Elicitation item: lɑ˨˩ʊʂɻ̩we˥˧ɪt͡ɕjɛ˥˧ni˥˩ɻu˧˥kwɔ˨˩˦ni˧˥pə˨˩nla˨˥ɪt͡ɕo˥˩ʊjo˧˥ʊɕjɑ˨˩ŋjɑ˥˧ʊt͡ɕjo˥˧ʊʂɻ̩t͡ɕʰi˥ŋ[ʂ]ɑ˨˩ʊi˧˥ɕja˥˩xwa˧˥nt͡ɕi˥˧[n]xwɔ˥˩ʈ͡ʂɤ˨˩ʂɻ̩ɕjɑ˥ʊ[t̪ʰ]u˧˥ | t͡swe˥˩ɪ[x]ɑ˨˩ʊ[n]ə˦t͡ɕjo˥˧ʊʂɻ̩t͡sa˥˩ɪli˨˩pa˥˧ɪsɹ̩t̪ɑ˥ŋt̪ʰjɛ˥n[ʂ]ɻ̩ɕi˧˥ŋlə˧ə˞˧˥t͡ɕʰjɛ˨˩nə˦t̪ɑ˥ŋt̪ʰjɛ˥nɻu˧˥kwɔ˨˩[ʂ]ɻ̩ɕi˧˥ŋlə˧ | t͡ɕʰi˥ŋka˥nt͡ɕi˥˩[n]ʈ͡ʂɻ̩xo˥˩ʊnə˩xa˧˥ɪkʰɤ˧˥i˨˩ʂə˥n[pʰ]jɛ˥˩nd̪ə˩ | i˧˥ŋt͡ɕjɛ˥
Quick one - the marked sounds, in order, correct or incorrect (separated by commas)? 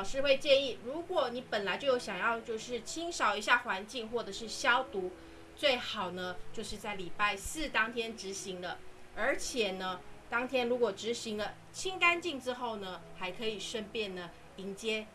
correct, incorrect, incorrect, correct, correct, incorrect, incorrect, incorrect, incorrect